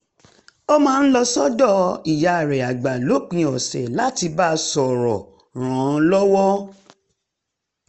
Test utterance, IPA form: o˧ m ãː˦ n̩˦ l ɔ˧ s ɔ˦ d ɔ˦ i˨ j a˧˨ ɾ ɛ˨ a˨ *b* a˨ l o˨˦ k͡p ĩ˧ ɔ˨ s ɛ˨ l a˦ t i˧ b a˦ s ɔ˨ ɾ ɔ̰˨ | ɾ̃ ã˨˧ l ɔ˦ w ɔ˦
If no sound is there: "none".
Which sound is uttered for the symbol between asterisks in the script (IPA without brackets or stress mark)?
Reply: ɡ͡b